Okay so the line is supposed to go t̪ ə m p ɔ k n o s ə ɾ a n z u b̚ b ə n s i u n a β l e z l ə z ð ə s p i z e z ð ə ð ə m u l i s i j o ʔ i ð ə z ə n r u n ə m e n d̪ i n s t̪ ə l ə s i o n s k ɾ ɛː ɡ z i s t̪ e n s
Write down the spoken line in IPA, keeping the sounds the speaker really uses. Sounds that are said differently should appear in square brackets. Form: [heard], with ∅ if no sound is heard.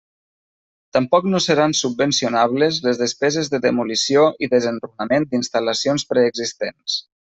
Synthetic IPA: t̪ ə m p ɔ k n o s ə ɾ a n [s] u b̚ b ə n s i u n a β l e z l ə z ð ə s p [ɛ] z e z ð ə ð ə m u l i s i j o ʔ i ð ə z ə n r u n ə m e n d̪ i n s t̪ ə l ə s i o n s [p] ɾ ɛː ɡ z i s t̪ e n s

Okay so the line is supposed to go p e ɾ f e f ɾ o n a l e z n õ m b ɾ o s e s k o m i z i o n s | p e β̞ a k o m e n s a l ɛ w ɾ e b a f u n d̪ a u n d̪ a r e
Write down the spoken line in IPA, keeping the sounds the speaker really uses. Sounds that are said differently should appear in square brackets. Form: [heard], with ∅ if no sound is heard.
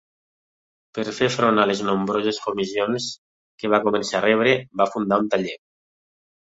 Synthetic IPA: p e ɾ f e f ɾ o n a l e z n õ m b ɾ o [z] e s k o m i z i o n s | [k] e β̞ a k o m e n s a [r] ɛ [β] ɾ e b a f u n d̪ a u n [t̪] a [ʎ] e

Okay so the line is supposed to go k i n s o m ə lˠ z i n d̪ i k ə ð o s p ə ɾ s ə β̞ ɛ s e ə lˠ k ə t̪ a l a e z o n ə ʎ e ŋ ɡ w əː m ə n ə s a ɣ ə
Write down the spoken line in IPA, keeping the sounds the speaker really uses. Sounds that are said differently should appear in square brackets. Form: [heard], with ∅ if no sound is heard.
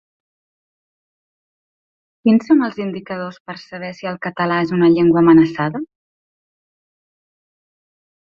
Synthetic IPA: k i n s o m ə lˠ z i n d̪ i k ə ð o s p ə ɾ s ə β̞ ɛ s [i] ə lˠ k ə t̪ [ə] l a e z [u] n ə ʎ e ŋ ɡ w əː m ə n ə s a [ð] ə

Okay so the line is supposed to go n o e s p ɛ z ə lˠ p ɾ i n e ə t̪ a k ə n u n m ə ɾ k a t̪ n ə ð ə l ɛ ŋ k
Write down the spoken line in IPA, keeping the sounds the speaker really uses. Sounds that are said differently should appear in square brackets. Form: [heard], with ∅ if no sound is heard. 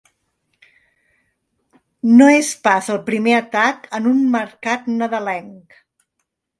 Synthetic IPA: n o e s p [a] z ə lˠ p ɾ i [m] e ə t̪ a k ə n u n m ə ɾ k a t̪ n ə ð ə l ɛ ŋ k

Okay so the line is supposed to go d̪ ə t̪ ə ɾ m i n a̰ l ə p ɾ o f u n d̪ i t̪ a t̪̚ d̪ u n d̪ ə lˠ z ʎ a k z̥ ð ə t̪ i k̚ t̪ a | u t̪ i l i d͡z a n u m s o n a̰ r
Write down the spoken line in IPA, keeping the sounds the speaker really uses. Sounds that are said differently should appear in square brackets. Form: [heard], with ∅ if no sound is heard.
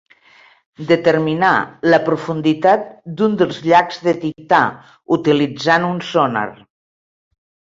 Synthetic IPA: d̪ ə t̪ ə ɾ m i n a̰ l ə p ɾ [u] f u n d̪ i t̪ a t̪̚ d̪ u n d̪ ə lˠ z ʎ a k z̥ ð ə t̪ i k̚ t̪ a | u t̪ i l i d͡z a n u [n] s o n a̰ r

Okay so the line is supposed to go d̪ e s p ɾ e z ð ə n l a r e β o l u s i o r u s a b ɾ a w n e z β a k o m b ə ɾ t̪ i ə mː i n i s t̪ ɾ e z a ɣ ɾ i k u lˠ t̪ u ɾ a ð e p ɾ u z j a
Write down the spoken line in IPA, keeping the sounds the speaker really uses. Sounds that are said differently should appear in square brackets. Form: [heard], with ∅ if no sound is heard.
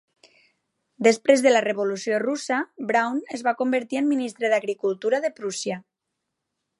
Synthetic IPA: d̪ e s p ɾ e z ð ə [∅] l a r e β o l u s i o r u s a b ɾ a w n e z β a k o m b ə ɾ t̪ i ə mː i n i s t̪ ɾ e [ð] a ɣ ɾ i k u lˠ t̪ u ɾ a ð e p ɾ u [s] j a

